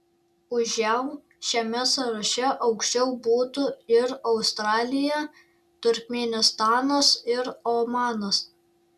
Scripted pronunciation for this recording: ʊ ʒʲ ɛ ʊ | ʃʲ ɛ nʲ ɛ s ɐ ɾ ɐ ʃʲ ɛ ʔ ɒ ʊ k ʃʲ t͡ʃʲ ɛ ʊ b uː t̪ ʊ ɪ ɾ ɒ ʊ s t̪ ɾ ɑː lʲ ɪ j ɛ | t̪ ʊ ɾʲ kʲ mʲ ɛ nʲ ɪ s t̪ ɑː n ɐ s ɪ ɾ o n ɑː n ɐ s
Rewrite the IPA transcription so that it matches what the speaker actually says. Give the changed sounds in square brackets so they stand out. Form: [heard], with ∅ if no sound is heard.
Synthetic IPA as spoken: ʊ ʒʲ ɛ ʊ | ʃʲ ɛ [mʲ] ɛ s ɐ ɾ ɐ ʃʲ ɛ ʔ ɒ ʊ k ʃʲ t͡ʃʲ ɛ ʊ b uː t̪ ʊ ɪ ɾ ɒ ʊ s t̪ ɾ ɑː lʲ ɪ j ɛ | t̪ ʊ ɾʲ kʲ mʲ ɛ nʲ ɪ s t̪ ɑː n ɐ s ɪ ɾ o [m] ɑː n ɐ s